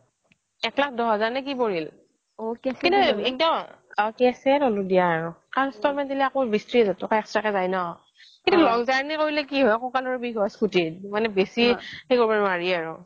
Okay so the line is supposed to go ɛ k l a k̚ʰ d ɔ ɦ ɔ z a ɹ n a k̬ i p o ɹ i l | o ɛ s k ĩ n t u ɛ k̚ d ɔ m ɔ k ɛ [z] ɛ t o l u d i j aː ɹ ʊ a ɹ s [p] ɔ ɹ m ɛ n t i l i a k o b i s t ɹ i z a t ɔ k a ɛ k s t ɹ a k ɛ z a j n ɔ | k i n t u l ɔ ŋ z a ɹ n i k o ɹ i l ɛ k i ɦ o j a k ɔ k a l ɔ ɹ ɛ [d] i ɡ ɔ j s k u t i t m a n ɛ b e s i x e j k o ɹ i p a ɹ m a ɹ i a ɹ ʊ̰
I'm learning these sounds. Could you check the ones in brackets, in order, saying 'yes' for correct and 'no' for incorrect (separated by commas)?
no, no, no